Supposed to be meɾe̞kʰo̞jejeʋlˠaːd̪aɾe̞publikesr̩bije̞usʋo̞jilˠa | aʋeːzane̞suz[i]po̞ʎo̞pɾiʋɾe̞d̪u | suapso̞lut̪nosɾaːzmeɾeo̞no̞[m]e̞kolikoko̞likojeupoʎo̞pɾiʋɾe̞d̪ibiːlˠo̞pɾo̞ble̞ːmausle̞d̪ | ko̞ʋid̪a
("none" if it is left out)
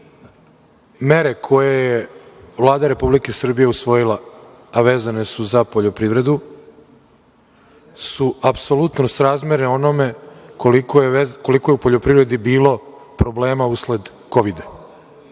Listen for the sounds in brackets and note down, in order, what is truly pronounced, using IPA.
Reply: a, m

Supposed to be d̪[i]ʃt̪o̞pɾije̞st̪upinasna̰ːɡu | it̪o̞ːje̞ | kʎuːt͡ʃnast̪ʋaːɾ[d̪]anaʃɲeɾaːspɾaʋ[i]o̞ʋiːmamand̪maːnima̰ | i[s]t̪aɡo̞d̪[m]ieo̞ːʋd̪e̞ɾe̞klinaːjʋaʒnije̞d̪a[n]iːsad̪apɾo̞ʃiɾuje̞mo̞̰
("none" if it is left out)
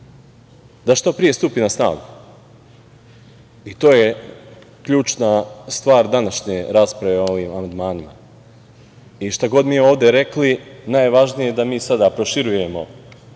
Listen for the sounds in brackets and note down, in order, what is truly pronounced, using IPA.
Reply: a, d̪, e, ʃ, m, m

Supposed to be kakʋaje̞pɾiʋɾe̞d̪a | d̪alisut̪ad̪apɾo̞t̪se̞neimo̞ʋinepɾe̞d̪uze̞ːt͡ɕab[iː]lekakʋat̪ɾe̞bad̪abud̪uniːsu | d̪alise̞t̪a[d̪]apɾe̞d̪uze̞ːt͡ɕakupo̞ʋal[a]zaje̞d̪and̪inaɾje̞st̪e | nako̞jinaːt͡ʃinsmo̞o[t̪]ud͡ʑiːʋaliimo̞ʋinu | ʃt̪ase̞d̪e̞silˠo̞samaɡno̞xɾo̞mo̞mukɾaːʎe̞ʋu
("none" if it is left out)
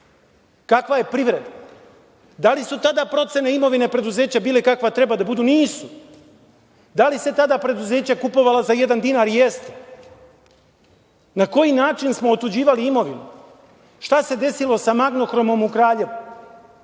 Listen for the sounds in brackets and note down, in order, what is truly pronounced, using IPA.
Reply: iː, d̪, a, t̪

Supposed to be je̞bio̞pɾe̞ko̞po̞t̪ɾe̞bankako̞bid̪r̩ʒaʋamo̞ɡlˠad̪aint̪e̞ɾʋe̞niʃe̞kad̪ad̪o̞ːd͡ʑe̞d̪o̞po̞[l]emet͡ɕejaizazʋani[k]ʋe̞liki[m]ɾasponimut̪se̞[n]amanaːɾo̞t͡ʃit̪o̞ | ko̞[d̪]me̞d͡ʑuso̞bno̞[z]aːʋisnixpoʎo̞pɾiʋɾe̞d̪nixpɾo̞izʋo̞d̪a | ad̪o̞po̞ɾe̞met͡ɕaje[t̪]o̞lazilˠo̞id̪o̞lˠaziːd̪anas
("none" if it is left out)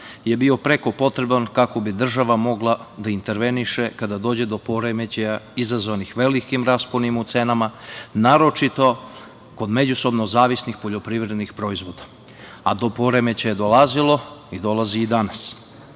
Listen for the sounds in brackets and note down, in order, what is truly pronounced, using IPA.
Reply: ɾ, x, m, n, d̪, z, d̪

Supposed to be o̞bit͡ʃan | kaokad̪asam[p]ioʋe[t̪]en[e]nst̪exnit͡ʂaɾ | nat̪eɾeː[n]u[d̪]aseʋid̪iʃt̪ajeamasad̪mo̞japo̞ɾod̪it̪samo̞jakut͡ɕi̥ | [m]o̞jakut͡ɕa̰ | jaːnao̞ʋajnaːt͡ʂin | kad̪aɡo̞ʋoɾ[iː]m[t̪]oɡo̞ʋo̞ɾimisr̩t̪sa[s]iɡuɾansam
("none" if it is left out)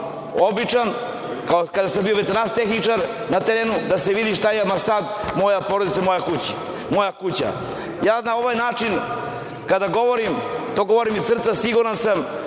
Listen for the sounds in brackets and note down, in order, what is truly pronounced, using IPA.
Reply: b, t̪, a, n, d̪, m, i, t̪, s

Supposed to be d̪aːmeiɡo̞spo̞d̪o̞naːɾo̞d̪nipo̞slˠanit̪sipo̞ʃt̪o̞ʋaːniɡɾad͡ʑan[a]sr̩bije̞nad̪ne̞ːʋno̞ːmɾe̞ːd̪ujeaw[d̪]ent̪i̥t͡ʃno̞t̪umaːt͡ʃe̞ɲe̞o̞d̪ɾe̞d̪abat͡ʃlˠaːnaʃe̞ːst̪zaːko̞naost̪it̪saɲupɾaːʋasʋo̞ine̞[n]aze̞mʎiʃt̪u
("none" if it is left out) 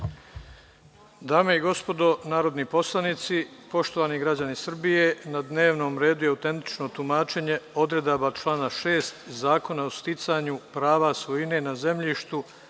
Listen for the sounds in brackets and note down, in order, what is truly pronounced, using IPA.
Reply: i, t̪, n

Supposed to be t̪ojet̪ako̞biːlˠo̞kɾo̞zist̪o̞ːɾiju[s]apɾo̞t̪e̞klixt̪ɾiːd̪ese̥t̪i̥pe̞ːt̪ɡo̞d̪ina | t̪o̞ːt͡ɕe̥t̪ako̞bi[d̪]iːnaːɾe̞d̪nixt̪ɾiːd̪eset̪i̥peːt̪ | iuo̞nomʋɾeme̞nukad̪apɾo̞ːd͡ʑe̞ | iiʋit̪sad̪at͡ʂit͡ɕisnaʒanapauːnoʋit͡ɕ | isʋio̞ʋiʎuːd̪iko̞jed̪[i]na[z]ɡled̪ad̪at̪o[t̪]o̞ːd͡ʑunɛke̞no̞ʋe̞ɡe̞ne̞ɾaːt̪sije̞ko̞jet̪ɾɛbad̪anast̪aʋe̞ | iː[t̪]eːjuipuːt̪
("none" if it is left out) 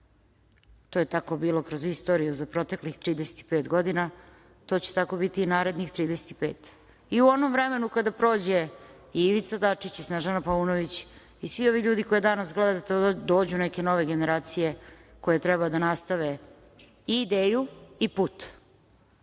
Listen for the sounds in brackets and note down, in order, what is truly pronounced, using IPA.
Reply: z, t̪, a, s, d̪, d̪

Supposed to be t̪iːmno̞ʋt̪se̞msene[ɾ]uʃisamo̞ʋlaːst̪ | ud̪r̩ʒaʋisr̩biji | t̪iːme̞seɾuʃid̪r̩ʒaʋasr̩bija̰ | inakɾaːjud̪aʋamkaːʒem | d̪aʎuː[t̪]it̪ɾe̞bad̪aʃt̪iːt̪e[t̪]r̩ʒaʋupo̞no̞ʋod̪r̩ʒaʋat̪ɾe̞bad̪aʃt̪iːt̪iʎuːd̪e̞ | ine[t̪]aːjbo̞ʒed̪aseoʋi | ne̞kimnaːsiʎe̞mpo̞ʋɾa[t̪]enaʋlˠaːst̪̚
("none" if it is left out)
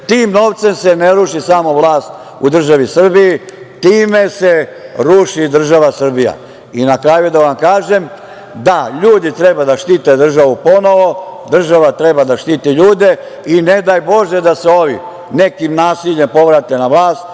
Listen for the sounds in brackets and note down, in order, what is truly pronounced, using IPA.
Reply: ɾ, d̪, d̪, d̪, t̪

